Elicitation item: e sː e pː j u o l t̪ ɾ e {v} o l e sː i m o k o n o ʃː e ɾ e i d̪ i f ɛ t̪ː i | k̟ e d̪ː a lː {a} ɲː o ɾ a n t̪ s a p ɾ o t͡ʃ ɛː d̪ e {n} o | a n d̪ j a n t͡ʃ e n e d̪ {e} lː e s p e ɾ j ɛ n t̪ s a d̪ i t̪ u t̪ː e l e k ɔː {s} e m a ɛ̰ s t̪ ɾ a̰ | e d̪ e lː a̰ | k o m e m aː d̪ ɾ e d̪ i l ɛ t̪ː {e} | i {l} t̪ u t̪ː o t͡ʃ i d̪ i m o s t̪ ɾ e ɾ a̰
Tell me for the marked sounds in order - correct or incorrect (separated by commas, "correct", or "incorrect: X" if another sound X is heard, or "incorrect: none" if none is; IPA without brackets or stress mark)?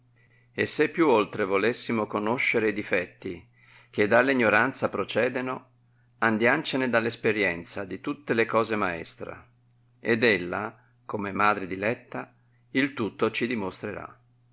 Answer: correct, incorrect: i, correct, incorrect: a, incorrect: z, incorrect: a, correct